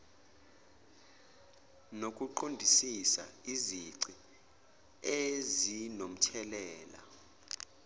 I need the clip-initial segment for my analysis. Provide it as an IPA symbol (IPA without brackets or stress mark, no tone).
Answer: n